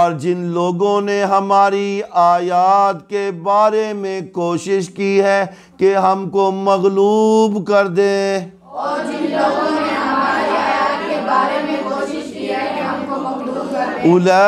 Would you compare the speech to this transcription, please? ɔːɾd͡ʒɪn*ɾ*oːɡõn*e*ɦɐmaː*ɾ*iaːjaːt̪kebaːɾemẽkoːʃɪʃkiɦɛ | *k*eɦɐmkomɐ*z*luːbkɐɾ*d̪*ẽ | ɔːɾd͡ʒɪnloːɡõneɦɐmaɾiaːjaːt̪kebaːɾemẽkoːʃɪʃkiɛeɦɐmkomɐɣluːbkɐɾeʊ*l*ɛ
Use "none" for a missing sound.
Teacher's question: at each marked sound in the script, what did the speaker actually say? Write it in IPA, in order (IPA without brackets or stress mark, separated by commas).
l, e, ɾ, k, ɣ, d̪, l